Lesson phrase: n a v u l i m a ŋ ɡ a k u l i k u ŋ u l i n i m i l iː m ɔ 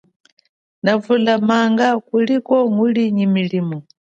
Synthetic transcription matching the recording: n a v u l a m a ŋ ɡ a k u l i k ɔ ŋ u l i ɲ i m i l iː m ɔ

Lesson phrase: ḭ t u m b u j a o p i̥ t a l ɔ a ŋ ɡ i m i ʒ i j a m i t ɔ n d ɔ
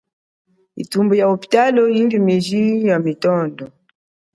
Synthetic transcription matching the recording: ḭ t u m b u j a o p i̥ t a l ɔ i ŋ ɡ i m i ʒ i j a m i t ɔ n d ɔ

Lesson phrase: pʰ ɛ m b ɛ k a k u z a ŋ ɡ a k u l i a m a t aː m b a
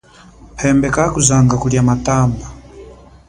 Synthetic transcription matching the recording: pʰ ɛ m b ɛ k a k u z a ŋ ɡ a k u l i a m a t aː m b a

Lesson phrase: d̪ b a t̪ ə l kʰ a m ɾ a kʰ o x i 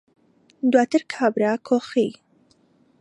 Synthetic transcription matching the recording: d̪ w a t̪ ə ɾ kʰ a b ɾ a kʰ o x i

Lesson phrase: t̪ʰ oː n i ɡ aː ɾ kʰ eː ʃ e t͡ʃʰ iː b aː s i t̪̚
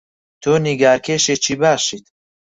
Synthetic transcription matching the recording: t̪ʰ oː n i ɡ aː ɾ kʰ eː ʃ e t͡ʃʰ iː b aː ʃ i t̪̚

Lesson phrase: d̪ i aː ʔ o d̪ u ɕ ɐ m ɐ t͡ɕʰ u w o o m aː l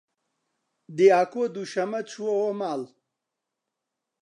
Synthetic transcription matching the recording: d̪ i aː k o d̪ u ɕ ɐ m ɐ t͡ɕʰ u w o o m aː l

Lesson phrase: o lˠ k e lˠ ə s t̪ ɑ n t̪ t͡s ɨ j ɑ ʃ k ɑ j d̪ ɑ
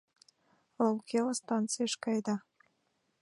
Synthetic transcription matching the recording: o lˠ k e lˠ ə s t̪ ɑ n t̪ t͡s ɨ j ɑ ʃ k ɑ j d̪ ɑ

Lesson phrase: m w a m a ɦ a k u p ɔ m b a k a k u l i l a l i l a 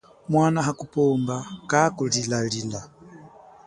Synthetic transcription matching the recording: m w a n a ɦ a k u p ɔ m b a k a k u l i l a l i l a

